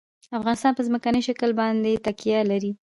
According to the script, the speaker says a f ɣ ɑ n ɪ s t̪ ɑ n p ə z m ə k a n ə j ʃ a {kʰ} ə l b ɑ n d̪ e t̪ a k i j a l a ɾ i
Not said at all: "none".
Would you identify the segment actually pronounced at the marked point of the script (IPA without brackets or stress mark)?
k